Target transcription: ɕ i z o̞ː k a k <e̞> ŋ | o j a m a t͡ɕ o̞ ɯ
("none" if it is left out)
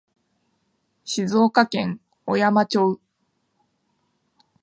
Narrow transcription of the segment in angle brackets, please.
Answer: ẽ̞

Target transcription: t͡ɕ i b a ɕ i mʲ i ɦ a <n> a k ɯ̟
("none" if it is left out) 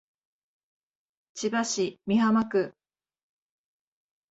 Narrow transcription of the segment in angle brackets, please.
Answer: m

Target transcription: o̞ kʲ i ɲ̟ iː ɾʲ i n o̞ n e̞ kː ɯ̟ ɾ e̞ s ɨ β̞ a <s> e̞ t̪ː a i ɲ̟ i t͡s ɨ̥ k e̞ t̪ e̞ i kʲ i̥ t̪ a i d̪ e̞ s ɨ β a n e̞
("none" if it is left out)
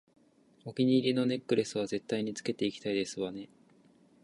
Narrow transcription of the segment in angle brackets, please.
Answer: z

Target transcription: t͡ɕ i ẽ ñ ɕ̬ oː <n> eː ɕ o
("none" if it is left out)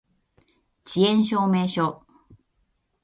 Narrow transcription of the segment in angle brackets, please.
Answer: m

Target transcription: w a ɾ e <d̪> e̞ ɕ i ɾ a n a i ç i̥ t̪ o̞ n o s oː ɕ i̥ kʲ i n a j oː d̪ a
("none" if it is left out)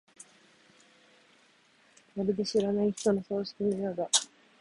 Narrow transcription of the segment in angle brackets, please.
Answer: d̪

